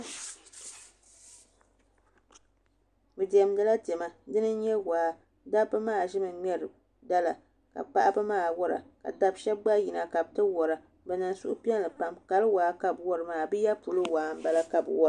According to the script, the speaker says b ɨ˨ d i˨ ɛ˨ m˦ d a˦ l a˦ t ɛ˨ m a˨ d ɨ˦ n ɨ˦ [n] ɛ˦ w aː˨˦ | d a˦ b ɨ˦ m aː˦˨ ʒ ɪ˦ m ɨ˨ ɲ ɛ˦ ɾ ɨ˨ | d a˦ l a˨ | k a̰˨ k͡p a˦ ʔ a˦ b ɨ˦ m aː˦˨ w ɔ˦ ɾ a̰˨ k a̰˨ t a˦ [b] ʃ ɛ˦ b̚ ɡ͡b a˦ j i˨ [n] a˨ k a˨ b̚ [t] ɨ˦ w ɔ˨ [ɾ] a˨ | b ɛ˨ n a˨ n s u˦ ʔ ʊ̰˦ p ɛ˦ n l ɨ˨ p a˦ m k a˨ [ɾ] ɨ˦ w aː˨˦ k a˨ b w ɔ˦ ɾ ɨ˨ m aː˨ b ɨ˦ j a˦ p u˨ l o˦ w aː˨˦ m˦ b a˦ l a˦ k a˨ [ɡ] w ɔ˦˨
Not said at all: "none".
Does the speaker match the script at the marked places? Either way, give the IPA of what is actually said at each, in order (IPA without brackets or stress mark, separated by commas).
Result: ɲ, b, n, t, ɾ, l, b